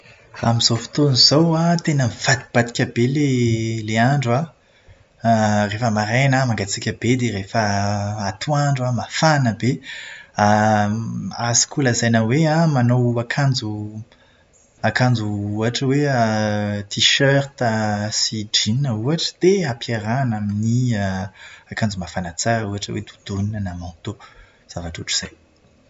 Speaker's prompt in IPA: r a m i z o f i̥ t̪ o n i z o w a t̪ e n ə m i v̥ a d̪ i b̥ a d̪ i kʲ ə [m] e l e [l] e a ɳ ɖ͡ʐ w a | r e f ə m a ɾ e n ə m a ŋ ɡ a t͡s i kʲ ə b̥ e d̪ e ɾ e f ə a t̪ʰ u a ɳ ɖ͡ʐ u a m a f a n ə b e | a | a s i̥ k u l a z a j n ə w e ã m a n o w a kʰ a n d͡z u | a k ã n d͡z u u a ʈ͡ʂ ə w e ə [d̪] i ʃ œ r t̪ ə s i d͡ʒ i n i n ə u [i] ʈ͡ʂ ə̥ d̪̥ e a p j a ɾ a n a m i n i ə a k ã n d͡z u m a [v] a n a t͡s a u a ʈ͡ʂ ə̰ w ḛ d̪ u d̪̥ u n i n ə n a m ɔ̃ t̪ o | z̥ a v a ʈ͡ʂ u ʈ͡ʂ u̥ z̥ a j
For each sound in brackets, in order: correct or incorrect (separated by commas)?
incorrect, correct, incorrect, incorrect, incorrect